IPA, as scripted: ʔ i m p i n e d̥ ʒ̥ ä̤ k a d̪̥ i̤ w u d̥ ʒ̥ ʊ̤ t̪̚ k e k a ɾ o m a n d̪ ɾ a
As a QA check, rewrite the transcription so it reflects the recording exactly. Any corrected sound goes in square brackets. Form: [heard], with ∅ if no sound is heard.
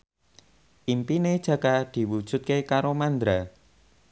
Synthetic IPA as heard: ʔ i m p i n e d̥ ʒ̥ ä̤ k a d̪̥ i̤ w u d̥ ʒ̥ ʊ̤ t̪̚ k e k a ɾ o m a n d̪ ɾ a